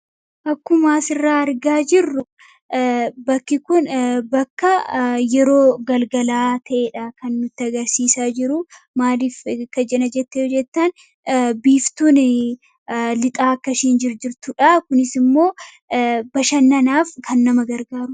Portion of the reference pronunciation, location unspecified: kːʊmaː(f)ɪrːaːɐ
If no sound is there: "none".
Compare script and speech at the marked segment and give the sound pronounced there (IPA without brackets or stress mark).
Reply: s